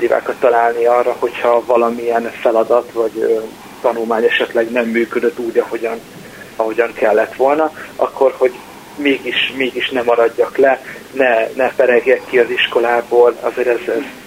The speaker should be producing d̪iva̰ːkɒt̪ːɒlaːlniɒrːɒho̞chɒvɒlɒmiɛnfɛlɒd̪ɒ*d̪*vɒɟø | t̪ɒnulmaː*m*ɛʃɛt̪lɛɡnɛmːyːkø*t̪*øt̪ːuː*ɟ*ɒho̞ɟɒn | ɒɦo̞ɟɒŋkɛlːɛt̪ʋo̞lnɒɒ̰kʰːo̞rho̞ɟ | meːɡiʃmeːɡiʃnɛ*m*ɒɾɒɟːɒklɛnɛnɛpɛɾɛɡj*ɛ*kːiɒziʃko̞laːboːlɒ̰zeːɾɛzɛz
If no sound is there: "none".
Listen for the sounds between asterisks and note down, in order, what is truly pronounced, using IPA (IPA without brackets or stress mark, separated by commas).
t̪, ɲ, d̪, ɟ, m, ɛ